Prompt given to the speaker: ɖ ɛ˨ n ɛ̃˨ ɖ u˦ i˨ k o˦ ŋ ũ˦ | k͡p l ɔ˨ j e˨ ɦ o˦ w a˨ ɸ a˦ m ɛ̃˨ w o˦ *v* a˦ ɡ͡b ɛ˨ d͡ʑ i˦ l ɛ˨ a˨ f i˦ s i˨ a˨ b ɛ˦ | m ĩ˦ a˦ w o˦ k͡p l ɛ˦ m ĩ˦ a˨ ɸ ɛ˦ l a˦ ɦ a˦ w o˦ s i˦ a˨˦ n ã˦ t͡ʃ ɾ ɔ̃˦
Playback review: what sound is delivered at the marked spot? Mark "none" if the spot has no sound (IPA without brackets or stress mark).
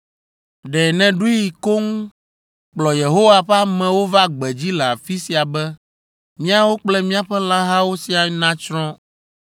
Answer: v